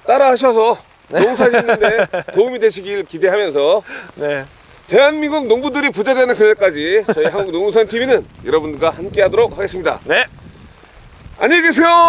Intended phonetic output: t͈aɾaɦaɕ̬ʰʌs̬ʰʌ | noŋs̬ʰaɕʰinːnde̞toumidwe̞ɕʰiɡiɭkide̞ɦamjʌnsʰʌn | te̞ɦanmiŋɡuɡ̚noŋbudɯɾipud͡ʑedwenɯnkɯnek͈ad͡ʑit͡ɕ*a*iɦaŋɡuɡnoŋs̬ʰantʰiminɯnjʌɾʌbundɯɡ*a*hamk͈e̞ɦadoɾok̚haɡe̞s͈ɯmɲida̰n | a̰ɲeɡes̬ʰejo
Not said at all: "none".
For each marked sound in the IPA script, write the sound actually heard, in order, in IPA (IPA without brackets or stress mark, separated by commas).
ʌ, a